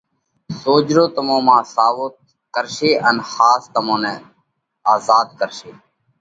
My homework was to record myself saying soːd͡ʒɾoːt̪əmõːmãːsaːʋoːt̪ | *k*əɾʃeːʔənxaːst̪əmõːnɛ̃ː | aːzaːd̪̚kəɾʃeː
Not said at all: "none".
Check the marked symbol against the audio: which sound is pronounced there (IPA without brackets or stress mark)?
k